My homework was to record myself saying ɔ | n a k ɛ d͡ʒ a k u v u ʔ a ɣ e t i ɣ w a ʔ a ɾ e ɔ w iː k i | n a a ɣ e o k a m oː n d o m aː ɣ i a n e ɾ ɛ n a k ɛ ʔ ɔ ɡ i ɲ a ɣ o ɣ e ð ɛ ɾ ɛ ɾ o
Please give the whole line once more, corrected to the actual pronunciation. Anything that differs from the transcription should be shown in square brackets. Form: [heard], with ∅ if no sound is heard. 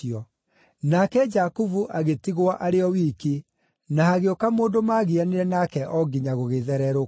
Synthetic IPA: ɔ | n a k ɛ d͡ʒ a k u v u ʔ a ɣ e t i ɣ w a ʔ a ɾ e ɔ w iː k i | n a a ɣ e o k a m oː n d o m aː ɣ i a n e ɾ ɛ n a k ɛ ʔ ɔ ɡ i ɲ a ɣ o ɣ e ð ɛ ɾ ɛ ɾ o